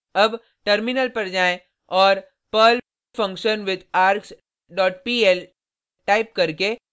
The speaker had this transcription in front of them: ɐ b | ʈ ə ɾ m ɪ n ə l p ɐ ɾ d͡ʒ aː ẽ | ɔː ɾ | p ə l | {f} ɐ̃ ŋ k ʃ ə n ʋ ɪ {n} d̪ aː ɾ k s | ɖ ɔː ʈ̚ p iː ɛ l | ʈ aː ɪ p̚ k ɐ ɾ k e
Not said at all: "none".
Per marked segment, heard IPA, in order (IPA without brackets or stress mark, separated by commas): f, none